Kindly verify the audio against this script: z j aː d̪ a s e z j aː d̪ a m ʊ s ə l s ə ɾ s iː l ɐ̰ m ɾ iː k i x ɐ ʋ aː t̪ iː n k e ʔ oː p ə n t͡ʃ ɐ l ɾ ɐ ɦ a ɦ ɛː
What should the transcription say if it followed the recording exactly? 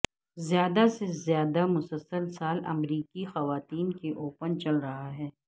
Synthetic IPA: z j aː d̪ a s e z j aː d̪ a m ʊ s ə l s ə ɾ s aː l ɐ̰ m ɾ iː k i x ɐ ʋ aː t̪ iː n k e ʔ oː p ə n t͡ʃ ɐ l ɾ ɐ ɦ a ɦ ɛː